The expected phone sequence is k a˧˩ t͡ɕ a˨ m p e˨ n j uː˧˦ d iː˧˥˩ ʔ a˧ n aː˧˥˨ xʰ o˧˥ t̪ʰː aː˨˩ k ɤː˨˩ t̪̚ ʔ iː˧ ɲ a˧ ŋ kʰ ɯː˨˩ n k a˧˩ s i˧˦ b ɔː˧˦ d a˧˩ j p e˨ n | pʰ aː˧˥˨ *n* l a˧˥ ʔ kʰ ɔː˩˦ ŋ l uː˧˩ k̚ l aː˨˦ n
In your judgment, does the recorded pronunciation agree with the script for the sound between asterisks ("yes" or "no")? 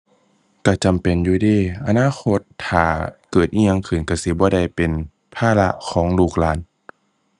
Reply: no